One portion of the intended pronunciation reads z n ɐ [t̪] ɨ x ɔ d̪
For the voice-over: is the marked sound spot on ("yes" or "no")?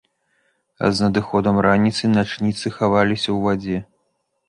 no